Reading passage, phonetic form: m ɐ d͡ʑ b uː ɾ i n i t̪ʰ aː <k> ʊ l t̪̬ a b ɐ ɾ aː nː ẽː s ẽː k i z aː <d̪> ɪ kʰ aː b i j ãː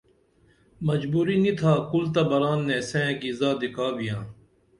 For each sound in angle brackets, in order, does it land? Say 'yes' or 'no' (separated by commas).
yes, yes